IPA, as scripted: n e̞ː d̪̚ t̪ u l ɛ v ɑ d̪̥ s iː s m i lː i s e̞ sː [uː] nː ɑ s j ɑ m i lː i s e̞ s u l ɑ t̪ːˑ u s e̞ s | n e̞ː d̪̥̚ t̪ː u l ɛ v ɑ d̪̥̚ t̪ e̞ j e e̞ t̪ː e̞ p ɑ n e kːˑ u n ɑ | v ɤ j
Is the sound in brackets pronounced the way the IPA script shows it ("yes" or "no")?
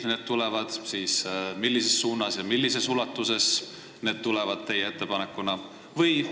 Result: yes